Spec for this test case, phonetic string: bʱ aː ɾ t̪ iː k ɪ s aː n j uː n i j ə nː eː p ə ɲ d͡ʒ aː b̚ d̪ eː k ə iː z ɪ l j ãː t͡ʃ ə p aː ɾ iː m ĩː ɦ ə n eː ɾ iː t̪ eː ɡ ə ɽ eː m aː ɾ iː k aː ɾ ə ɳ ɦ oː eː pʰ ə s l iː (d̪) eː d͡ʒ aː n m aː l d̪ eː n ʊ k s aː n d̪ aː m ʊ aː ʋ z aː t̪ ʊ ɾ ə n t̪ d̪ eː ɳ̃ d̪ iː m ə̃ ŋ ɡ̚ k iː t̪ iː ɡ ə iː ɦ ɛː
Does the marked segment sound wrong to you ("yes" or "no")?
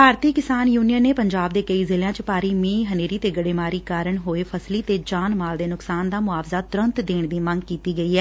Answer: yes